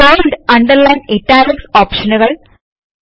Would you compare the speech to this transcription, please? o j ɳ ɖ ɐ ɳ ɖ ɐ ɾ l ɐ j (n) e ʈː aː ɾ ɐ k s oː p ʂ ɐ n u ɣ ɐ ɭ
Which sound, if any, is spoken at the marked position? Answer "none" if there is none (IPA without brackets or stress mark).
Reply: n